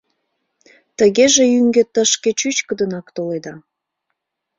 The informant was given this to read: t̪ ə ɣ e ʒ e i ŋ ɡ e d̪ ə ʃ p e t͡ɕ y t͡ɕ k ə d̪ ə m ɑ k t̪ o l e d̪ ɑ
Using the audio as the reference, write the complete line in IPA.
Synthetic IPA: t̪ ə ɣ e ʒ e y ŋ ɡ e t̪ ə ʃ k e t͡ɕ y t͡ɕ k ə d̪ ə n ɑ k t̪ o l e d̪ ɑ

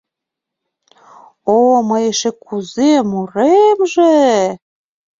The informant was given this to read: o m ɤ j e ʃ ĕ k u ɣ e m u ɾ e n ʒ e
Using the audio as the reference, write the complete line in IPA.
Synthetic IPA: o m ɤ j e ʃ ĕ k u z e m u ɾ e m ʒ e

